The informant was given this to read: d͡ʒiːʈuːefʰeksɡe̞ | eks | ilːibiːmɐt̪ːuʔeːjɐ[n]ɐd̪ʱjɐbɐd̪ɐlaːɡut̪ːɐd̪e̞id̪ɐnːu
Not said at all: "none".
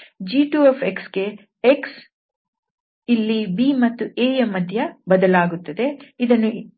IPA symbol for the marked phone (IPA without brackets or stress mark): m